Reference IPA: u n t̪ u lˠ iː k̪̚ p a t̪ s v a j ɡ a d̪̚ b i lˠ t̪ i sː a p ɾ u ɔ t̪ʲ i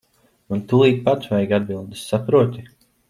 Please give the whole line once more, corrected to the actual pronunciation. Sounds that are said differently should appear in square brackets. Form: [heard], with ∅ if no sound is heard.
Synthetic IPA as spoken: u n t̪ u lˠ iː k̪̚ p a t̪ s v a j ɡ a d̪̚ b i lˠ [d̪] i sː a p ɾ u ɔ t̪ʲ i